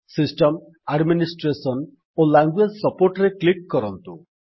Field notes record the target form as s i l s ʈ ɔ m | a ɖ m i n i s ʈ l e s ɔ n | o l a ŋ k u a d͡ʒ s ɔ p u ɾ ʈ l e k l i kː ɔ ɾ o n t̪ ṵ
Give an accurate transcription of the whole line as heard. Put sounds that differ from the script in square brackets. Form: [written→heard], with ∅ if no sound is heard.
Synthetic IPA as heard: s i [l→∅] s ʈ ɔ m | a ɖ m i n i s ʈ [l→ɾ] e s ɔ n | o l a ŋ [k→ɡ] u [a→e] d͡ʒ s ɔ p [u→o] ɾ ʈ [l→ɾ] e k l i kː ɔ ɾ [o→ɔ] n t̪ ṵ

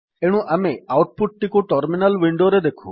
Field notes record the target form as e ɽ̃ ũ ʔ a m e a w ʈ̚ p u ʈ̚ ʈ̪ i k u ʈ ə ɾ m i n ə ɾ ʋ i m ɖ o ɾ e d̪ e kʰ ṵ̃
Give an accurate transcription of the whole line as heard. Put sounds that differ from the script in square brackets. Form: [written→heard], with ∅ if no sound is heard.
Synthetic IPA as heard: e ɽ̃ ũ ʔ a m e a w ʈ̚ p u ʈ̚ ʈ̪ i k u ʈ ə ɾ m i n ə [ɾ→l] ʋ i [m→ɳ] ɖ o ɾ e d̪ e kʰ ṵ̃

